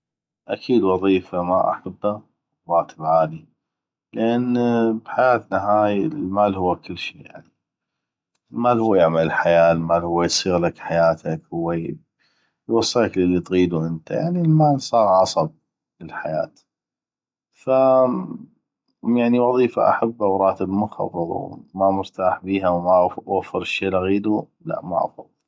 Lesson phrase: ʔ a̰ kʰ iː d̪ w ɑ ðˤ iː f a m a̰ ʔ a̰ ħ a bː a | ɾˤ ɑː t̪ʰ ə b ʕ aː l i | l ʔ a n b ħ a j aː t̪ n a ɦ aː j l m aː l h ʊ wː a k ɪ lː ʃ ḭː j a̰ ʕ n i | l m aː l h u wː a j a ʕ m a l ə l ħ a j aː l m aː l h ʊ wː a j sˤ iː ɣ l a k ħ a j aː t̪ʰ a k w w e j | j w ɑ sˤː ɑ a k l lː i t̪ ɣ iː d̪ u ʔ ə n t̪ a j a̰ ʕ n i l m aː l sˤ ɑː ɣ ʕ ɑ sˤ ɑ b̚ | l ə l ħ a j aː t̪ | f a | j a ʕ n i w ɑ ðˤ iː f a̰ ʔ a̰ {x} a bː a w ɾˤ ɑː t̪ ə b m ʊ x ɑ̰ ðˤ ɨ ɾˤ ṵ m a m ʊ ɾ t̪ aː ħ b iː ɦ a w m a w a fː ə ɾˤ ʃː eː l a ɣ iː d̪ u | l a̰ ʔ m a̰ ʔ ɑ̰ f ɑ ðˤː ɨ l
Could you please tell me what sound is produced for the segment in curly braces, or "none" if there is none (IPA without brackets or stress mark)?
ħ